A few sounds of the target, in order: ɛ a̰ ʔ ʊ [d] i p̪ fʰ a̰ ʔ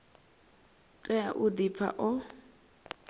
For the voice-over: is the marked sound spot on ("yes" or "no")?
yes